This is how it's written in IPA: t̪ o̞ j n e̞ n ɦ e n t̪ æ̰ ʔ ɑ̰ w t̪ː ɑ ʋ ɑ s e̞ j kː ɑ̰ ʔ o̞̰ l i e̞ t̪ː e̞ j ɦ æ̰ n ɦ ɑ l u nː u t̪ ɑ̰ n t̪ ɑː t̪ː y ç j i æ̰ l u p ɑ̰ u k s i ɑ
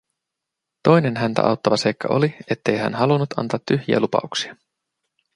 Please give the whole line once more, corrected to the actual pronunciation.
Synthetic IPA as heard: t̪ o̞ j n e̞ n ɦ æ n t̪ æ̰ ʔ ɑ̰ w t̪ː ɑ ʋ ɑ s e̞ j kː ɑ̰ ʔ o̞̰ l i e̞ t̪ː e̞ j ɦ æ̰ n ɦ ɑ l u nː u t̪ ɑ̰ n t̪ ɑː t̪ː y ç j i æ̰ l u p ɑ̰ u k s i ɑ

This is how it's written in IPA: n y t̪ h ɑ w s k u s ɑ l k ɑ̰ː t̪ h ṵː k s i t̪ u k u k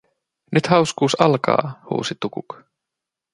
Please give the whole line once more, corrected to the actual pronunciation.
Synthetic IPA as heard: n y t̪ h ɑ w s k uː s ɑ l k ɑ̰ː h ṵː s i t̪ u k u k

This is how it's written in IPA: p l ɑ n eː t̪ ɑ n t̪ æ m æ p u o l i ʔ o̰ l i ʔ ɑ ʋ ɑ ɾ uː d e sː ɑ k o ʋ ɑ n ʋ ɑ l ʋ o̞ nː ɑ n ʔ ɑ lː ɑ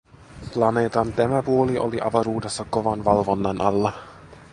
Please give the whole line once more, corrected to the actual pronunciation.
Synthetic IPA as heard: p l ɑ n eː t̪ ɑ n t̪ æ m æ p u o l i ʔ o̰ l i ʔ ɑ ʋ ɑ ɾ uː d e sː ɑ k o ʋ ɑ n ʋ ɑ l ʋ o̞ nː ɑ n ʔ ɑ lː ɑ

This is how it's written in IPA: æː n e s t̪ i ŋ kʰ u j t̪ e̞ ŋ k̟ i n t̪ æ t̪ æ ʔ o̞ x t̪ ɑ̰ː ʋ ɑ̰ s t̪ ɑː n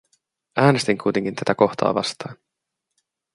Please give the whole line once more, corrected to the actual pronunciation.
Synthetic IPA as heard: æː n e s t̪ i ŋ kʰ u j t̪ e̞ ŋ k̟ i n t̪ æ t̪ æ k o̞ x t̪ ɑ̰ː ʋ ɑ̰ s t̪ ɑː n

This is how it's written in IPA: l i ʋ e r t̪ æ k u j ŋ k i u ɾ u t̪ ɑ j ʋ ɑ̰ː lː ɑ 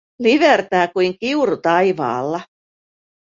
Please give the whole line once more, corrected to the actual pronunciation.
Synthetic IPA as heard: l i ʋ e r t̪ æː k u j ŋ k i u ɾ u t̪ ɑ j ʋ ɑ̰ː lː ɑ

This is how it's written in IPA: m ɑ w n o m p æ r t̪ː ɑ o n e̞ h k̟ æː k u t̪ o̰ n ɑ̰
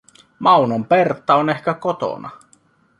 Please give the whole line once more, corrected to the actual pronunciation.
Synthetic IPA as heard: m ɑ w n o m p e r t̪ː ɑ o n e̞ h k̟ æ k o t̪ o̰ n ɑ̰

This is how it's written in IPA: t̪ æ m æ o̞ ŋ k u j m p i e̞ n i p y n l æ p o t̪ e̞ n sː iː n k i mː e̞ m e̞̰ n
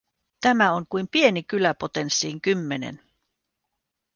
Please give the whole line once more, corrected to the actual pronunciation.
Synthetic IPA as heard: t̪ æ m æ o̞ ŋ k u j m p i e̞ n i k y l æ p o t̪ e̞ n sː iː ŋ k y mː e̞ n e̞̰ n

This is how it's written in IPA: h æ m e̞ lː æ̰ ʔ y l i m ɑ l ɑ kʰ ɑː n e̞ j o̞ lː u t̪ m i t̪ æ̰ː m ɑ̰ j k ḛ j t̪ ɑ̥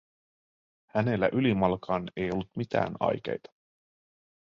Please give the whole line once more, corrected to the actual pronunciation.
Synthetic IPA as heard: h æ n e̞ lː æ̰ ʔ y l i m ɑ l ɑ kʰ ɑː n e̞ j o̞ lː u t̪ m i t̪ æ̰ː n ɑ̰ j k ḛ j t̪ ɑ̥

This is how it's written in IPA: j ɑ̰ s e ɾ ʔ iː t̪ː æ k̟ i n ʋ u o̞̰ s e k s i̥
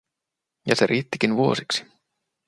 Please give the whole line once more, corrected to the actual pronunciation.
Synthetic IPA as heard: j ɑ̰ s e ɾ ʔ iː t̪ː i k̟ i n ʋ u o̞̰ s i k s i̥

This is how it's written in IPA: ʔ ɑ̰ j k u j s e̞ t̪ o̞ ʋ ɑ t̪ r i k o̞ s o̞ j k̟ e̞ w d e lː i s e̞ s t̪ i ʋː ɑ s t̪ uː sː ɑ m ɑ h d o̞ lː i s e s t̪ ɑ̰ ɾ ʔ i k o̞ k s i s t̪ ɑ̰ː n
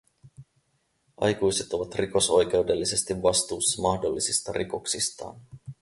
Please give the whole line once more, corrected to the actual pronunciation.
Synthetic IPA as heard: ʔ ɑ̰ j k u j s e̞ t̪ o̞ ʋ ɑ t̪ r i k o̞ s o̞ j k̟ e̞ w d e lː i s e̞ s t̪ i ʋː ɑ s t̪ uː sː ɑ m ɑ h d o̞ lː i s i s t̪ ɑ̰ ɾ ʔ i k o̞ k s i s t̪ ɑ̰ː n

